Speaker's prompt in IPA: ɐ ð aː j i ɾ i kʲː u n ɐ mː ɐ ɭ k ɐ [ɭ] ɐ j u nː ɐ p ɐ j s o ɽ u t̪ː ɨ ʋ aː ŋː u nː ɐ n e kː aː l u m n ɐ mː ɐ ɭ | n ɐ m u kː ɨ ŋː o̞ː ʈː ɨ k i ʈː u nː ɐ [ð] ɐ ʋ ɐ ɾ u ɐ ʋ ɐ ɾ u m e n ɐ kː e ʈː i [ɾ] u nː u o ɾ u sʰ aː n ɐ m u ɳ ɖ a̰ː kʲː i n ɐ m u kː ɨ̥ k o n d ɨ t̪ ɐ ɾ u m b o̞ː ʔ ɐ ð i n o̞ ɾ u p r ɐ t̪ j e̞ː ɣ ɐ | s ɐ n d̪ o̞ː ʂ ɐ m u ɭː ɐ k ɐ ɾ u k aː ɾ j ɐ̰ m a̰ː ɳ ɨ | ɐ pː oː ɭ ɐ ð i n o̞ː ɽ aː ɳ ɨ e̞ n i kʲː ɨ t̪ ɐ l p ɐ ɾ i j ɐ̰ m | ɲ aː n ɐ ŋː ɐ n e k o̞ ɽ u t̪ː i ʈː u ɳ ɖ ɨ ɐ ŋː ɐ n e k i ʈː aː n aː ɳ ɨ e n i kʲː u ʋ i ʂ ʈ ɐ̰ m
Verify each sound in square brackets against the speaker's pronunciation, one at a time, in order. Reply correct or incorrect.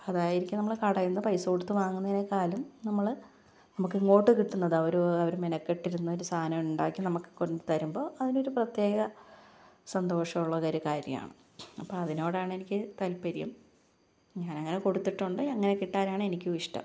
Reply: incorrect, correct, correct

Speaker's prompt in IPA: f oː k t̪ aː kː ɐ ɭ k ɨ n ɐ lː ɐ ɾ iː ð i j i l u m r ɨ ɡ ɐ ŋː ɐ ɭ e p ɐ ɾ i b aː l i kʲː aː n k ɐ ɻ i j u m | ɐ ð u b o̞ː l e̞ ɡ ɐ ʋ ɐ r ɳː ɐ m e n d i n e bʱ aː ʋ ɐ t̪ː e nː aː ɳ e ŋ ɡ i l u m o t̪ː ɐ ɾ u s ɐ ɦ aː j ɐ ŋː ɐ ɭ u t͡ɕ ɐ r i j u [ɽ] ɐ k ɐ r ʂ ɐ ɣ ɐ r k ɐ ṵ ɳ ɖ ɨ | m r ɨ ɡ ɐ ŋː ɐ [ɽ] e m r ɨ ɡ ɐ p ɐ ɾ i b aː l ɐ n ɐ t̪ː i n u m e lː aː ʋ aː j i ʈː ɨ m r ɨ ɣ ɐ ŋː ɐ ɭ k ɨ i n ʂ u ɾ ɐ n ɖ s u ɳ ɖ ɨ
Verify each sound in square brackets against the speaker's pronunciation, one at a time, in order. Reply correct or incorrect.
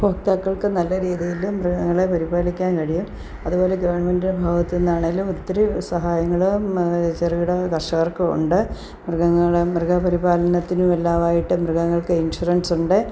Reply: correct, incorrect

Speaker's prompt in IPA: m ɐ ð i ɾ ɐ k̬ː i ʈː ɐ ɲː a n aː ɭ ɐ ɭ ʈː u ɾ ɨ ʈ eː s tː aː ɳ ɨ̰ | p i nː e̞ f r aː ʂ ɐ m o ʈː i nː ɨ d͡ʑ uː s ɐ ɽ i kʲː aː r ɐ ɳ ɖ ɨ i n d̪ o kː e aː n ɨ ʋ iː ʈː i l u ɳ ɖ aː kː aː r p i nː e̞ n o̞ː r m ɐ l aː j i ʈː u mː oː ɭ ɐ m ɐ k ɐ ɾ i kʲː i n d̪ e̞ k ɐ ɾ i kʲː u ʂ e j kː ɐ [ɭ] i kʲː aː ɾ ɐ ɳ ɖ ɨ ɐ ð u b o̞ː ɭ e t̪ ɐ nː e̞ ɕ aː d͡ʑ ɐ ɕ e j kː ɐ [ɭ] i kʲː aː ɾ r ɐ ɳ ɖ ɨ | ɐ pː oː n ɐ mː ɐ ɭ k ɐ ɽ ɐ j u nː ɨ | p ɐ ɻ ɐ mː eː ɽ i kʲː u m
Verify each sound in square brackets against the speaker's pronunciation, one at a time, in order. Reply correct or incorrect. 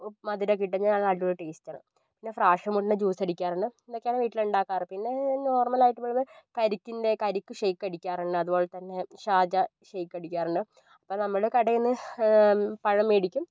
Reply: incorrect, incorrect

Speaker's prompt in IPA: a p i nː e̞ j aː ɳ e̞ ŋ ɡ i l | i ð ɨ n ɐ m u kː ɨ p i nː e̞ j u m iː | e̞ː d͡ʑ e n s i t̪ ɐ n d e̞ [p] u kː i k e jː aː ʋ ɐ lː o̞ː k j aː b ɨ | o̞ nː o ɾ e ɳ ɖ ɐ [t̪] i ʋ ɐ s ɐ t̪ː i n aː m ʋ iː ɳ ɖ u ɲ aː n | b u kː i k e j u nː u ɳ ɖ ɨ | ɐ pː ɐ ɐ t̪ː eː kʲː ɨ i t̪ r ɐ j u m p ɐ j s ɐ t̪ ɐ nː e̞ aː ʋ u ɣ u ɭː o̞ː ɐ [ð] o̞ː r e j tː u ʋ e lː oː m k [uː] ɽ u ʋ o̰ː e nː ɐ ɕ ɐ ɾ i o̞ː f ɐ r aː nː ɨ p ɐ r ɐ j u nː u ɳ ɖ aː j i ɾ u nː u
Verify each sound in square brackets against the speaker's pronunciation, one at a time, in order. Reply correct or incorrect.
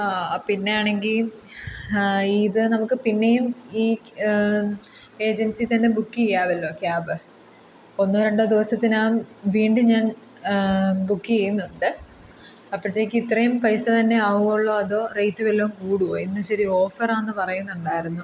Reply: incorrect, incorrect, correct, correct

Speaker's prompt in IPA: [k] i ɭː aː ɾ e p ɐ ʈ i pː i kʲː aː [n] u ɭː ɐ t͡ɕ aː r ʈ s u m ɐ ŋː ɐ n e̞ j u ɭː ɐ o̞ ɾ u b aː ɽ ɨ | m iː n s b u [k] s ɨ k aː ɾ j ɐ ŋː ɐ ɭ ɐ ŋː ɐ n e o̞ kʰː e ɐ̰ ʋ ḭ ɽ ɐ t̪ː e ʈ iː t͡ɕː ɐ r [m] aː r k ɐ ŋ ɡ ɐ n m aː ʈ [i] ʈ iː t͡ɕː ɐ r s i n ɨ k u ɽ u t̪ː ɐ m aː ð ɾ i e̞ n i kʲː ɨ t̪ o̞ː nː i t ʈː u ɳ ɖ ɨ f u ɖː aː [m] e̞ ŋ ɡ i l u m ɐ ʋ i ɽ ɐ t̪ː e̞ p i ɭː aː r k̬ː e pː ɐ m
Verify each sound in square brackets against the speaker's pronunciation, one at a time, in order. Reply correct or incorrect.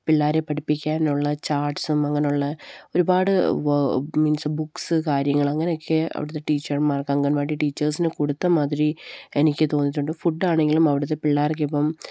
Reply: incorrect, correct, correct, correct, correct, incorrect

